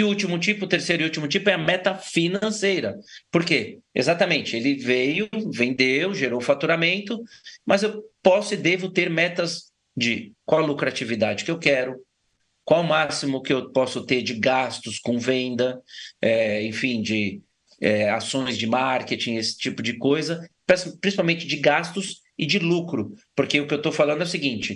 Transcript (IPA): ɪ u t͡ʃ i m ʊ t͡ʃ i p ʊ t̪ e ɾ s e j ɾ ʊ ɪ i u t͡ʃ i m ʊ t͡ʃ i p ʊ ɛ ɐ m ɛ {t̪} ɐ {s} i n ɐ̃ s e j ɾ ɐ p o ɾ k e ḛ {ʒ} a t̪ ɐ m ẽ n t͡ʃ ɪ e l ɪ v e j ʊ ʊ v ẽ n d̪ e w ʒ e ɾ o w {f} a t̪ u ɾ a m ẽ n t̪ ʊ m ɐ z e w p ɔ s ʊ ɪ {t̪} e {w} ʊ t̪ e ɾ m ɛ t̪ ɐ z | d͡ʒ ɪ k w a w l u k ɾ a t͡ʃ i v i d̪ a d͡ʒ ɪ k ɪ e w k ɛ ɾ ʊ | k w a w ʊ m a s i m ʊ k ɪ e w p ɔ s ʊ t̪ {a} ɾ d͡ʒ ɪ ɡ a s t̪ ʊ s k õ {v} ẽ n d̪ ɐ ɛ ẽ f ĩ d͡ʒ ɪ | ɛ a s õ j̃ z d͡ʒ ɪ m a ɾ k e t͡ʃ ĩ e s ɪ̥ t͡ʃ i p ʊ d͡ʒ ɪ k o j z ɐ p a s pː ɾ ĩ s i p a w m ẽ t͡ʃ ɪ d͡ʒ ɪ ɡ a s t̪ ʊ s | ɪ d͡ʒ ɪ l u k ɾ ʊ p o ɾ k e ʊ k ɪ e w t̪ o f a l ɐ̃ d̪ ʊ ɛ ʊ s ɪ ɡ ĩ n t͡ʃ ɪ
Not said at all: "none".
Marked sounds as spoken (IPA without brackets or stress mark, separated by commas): t̪, f, z, f, d̪, v, e, v